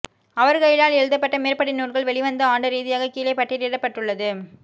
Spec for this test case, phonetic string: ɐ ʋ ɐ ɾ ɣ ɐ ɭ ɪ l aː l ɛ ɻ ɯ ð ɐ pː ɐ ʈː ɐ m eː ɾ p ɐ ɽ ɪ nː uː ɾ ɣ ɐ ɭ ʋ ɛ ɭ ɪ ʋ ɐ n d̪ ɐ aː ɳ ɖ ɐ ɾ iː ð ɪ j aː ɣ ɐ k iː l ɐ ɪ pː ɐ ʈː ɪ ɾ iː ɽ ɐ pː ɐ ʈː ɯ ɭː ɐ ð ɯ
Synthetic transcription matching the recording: ɐ ʋ ɐ ɾ ɣ ɐ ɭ ɪ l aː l ɛ ɻ ɯ ð ɐ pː ɐ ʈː ɐ m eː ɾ p ɐ ɽ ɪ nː uː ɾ ɣ ɐ ɭ ʋ ɛ ɭ ɪ ʋ ɐ n d̪ ɐ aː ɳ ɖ ɐ ɾ iː ð ɪ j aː ɣ ɐ k iː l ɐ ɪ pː ɐ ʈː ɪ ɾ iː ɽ ɐ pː ɐ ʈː ɯ ɭː ɐ ð ɯ